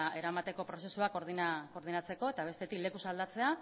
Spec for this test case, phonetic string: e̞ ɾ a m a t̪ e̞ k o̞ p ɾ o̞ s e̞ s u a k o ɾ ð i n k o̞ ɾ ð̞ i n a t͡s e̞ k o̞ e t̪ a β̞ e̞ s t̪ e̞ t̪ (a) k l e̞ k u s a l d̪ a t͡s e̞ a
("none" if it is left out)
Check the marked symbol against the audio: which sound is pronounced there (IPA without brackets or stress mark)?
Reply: i